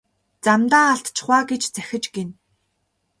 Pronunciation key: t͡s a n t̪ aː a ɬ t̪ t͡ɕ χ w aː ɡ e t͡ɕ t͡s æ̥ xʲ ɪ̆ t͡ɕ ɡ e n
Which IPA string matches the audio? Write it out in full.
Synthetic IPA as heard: t͡s a m t̪ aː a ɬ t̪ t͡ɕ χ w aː ɡ e t͡ɕ t͡s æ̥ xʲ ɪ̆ t͡ɕ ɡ e n